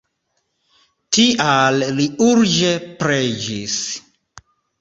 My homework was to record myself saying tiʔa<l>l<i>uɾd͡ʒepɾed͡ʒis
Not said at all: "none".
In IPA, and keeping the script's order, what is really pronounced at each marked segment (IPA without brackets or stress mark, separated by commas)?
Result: l, i